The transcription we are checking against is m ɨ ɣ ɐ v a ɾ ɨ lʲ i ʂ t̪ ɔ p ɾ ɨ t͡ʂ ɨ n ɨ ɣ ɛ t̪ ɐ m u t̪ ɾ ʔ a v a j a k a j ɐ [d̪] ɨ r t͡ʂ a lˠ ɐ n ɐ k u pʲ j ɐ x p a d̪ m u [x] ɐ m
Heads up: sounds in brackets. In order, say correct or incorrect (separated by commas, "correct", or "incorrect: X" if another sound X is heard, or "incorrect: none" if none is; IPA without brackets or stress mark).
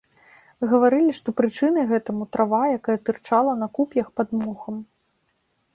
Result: incorrect: t̪, correct